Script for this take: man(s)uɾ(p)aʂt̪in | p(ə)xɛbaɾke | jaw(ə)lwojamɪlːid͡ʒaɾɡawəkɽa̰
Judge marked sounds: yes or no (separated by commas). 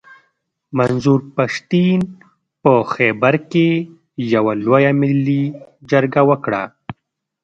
no, yes, yes, no